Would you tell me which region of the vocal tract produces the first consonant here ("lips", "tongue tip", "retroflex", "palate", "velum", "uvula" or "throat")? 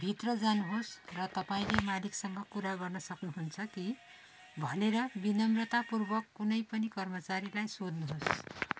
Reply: lips